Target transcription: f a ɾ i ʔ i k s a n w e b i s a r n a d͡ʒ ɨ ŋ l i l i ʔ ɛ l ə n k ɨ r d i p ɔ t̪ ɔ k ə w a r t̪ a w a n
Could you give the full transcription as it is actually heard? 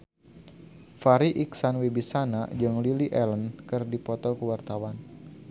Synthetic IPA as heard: f a ɾ i ʔ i k s a n w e b i s a n a d͡ʒ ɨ ŋ l i l i ʔ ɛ l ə n k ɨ r d i p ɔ t̪ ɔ k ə w a r t̪ a w a n